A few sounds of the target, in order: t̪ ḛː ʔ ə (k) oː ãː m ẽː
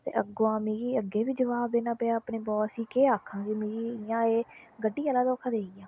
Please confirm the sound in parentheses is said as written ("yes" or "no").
no